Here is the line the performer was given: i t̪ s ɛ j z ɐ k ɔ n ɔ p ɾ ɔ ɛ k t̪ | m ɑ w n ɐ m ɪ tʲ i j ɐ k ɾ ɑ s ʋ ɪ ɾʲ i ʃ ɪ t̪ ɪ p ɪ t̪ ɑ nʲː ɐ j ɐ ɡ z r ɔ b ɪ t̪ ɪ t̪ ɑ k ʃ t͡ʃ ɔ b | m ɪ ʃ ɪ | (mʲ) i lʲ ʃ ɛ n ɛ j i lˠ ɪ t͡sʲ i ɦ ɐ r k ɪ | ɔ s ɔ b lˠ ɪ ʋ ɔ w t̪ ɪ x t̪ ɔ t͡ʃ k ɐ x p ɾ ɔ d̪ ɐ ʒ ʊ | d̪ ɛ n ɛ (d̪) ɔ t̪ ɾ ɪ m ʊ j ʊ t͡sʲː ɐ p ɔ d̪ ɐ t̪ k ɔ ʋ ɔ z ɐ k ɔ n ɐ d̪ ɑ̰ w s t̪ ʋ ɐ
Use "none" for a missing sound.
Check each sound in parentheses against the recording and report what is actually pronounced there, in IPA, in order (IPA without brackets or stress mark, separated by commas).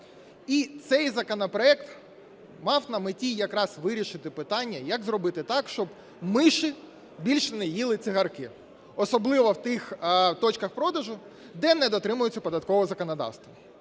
bʲ, d̪